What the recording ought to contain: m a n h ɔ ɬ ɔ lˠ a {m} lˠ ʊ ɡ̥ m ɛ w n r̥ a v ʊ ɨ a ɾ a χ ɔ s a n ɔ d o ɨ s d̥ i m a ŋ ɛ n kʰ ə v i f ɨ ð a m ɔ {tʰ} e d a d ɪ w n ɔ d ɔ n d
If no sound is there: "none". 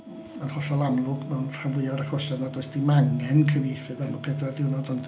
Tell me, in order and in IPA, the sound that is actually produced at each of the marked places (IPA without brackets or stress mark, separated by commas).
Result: m, pʰ